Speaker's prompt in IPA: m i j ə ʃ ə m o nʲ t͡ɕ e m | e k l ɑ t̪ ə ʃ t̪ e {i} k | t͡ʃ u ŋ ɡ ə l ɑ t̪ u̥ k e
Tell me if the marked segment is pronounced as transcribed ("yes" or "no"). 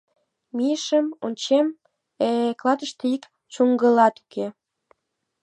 yes